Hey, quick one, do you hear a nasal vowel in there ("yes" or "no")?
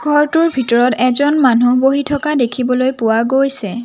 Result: no